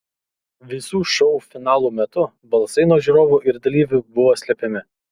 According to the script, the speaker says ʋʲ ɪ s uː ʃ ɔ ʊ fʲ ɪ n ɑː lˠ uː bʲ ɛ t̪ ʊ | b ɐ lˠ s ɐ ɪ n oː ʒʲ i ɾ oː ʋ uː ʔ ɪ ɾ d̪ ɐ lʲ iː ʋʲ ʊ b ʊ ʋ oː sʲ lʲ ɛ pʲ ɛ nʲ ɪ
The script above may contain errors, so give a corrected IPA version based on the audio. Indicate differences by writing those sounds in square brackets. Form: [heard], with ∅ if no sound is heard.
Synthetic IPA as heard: ʋʲ ɪ s uː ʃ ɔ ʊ fʲ ɪ n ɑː lˠ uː [mʲ] ɛ t̪ ʊ | b ɐ lˠ s ɐ ɪ n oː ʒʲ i ɾ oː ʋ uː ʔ ɪ ɾ d̪ ɐ lʲ iː ʋʲ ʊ b ʊ ʋ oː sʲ lʲ ɛ pʲ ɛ [mʲ] ɪ